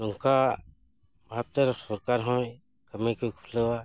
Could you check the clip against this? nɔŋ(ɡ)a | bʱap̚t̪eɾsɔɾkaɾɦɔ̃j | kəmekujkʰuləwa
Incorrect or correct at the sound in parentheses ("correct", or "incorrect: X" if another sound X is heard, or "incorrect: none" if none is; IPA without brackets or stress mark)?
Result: incorrect: k